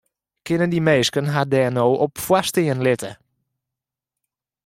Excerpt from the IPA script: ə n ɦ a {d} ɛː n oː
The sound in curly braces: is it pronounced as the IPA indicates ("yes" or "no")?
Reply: yes